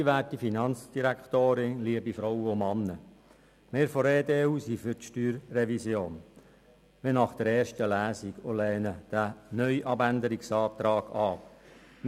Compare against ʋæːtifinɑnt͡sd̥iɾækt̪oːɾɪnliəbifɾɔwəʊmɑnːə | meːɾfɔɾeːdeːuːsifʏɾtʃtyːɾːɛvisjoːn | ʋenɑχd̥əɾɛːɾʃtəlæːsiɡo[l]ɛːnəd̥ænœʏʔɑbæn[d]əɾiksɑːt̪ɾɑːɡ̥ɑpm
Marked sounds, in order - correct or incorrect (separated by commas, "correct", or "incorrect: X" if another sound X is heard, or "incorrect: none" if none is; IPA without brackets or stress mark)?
correct, correct